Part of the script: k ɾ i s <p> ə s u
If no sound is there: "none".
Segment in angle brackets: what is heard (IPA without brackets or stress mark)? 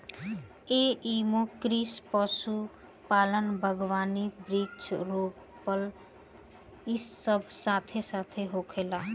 p